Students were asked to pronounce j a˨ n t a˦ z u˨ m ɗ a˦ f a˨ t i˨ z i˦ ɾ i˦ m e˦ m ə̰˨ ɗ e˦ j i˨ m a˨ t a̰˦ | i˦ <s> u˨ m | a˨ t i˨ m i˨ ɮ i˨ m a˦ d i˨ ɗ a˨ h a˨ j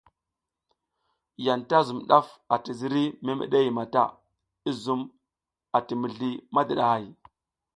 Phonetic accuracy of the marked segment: incorrect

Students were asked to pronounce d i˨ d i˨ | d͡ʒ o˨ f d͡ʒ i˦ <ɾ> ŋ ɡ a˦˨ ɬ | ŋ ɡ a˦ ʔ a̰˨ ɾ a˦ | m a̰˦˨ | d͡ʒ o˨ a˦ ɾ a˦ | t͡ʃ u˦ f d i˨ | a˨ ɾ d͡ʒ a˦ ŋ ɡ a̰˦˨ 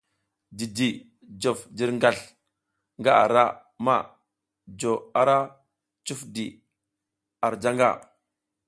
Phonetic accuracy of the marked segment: correct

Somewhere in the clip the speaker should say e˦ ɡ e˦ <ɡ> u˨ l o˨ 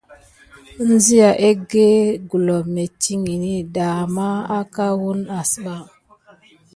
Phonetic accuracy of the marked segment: correct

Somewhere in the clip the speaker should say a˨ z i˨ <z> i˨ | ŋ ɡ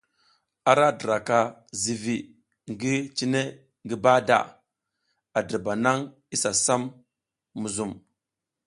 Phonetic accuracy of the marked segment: incorrect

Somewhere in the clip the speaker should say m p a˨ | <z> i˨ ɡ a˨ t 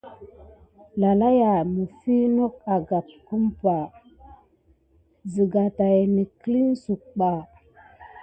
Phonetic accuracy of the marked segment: correct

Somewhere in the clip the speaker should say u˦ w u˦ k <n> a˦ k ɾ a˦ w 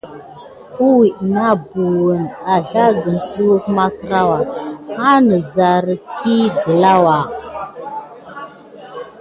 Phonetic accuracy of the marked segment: incorrect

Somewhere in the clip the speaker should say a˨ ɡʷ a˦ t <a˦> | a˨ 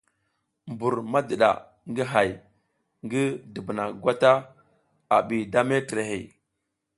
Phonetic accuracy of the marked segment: correct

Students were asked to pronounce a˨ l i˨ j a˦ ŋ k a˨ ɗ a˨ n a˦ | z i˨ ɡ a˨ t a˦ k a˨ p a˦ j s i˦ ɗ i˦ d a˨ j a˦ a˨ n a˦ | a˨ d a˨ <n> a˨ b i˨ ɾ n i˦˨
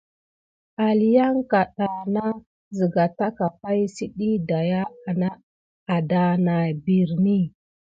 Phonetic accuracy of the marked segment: correct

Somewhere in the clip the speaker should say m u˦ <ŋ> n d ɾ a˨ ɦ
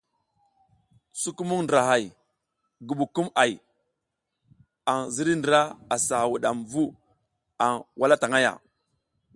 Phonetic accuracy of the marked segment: correct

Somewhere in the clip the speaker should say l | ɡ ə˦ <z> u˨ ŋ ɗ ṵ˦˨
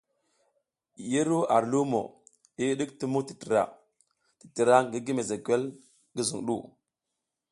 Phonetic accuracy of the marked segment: correct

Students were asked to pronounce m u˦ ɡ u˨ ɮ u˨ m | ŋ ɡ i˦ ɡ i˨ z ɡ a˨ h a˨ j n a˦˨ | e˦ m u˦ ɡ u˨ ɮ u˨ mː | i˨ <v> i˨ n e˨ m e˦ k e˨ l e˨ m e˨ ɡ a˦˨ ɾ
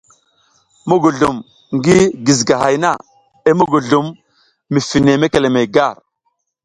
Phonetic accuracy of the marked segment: incorrect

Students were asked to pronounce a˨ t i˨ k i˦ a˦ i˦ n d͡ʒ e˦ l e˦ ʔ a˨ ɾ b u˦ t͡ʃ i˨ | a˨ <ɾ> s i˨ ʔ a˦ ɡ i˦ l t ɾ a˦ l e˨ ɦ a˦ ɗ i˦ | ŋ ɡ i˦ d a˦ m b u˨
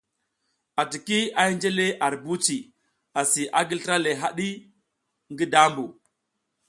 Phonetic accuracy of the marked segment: incorrect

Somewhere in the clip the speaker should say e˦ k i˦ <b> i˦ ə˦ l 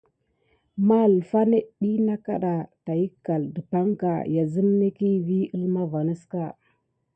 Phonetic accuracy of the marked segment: incorrect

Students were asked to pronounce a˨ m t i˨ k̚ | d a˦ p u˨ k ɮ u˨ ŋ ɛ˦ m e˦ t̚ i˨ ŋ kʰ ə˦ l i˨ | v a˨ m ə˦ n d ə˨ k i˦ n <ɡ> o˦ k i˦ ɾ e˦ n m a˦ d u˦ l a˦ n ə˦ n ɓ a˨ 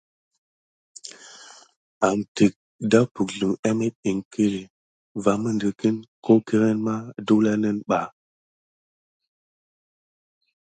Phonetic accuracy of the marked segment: incorrect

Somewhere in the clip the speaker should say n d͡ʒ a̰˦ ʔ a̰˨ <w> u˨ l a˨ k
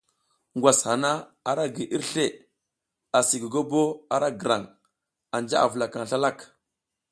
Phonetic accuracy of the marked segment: incorrect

